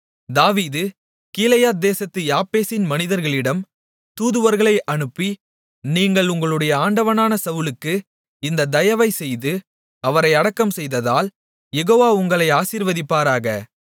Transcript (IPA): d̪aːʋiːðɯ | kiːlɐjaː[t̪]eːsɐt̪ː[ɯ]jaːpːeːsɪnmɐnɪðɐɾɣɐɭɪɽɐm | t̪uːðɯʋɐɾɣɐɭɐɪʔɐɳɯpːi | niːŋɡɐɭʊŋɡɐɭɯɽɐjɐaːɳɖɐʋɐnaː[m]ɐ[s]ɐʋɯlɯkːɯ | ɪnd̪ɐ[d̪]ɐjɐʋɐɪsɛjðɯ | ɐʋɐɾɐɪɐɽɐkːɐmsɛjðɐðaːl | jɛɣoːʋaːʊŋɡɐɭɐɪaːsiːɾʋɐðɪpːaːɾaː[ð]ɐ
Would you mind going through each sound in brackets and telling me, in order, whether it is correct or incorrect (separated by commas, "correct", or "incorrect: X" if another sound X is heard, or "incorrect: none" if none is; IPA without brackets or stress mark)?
incorrect: d̪, correct, incorrect: n, correct, correct, incorrect: ɣ